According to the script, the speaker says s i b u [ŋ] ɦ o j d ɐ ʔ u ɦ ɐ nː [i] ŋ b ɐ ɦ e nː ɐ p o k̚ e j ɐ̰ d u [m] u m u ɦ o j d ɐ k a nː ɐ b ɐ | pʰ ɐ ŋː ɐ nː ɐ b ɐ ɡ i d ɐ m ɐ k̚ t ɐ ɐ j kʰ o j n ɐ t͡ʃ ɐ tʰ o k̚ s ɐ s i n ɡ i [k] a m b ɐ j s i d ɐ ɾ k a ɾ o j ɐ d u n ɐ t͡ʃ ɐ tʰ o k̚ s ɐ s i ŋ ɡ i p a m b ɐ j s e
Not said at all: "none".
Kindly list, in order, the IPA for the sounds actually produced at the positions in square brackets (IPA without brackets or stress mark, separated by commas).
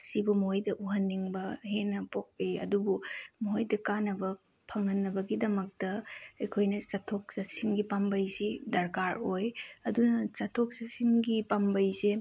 m, i, b, p